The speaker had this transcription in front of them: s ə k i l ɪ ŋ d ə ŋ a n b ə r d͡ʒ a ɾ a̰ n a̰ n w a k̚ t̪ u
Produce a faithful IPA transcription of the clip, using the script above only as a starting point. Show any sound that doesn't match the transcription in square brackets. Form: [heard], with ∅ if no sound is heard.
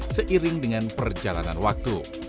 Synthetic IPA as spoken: s ə [ʔ] i [ɾ] ɪ ŋ d ə ŋ a n [p] ə r d͡ʒ a [l] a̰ n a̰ n w a k̚ t̪ u